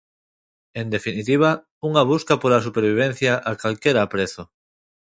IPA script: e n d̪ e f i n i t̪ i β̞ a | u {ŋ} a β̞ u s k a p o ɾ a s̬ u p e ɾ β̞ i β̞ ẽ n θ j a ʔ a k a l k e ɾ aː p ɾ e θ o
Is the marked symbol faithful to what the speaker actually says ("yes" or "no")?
yes